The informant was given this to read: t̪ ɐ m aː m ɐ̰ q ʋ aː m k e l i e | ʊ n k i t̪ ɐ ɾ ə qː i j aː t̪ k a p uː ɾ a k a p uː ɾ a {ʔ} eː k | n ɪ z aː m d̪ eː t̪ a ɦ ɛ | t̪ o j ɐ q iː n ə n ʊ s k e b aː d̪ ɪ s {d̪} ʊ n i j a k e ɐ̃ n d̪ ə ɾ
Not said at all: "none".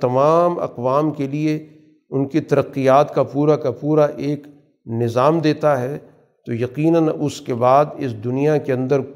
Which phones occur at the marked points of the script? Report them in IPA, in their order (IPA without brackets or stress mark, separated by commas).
ʔ, d̪